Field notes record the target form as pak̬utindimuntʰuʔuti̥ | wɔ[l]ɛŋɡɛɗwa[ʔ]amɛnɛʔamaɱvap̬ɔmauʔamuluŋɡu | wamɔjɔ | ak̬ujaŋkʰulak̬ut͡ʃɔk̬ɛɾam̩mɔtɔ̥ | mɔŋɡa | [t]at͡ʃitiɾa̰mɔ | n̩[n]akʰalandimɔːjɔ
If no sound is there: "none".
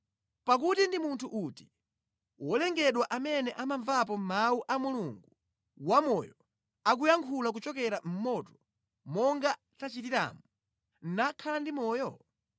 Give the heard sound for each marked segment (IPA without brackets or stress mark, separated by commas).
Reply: l, ʔ, t, n